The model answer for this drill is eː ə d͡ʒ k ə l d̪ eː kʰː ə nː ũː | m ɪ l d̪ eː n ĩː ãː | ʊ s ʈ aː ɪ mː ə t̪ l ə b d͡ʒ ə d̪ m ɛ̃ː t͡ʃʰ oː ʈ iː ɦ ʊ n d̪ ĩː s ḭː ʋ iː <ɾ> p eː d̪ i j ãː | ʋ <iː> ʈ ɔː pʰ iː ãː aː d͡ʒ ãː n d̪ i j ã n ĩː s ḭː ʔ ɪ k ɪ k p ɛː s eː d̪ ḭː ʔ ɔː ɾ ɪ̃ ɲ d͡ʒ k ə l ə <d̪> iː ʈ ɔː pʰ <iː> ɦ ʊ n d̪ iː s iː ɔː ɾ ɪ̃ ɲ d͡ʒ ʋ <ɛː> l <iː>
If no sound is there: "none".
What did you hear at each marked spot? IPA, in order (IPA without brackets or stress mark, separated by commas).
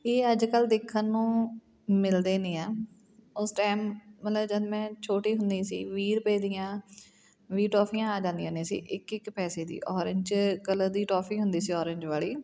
ɾ, iː, d̪, iː, aː, iː